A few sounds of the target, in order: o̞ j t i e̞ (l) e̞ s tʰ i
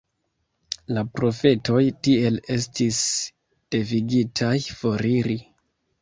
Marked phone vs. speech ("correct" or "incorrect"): correct